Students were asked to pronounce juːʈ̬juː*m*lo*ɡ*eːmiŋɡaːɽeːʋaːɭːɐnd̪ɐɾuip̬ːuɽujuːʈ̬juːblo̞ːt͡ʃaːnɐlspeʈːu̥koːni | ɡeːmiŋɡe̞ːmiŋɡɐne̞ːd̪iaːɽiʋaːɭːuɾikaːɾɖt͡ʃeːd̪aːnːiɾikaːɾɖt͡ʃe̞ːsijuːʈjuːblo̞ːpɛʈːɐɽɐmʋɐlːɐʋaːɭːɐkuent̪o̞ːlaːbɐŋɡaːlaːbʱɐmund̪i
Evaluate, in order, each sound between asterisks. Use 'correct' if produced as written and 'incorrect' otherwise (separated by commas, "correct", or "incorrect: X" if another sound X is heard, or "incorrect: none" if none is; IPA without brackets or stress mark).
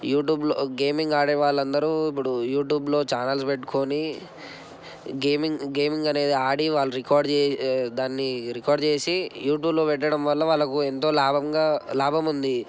incorrect: b, correct